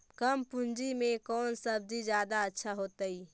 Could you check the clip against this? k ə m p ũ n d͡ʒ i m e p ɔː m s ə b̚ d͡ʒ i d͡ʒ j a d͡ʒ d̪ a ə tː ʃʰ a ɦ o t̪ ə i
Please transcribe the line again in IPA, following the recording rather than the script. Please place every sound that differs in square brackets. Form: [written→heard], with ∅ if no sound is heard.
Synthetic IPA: k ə m p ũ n d͡ʒ i m e [p→k] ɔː [m→n] s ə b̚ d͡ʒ i d͡ʒ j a [d͡ʒ→∅] d̪ a ə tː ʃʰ a ɦ o t̪ ə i